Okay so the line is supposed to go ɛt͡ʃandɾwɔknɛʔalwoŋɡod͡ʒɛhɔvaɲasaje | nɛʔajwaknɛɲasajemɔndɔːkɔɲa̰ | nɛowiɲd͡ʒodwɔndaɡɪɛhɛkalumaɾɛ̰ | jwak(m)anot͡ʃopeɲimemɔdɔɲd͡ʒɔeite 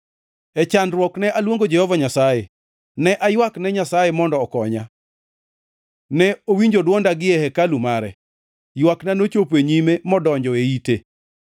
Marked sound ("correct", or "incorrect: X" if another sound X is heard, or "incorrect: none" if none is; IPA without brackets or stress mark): incorrect: n